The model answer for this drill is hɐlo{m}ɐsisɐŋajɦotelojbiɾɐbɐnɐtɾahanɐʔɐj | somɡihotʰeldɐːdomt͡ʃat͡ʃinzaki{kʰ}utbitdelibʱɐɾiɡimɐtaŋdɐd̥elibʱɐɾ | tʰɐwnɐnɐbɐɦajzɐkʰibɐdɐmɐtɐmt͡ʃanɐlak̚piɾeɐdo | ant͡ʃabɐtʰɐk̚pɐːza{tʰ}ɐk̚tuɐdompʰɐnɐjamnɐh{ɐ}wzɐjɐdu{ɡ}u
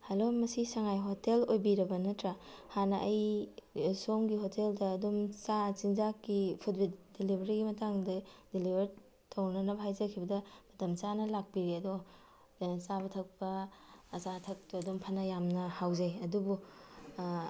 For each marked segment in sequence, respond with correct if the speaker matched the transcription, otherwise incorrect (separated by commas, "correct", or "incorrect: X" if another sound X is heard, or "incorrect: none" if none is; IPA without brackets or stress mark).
correct, incorrect: pʰ, correct, incorrect: a, incorrect: b